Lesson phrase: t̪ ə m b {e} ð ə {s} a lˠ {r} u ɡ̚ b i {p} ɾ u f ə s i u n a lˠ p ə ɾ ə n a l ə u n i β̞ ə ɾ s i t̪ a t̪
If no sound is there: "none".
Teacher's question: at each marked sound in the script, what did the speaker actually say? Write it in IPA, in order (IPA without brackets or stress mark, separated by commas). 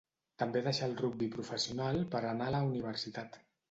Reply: e, ʃ, r, p